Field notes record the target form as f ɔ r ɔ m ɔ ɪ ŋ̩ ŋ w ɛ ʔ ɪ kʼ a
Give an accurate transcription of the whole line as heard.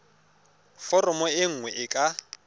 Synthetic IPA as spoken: f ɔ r ɔ m ɔ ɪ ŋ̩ ŋ w ɛ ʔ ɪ kʼ a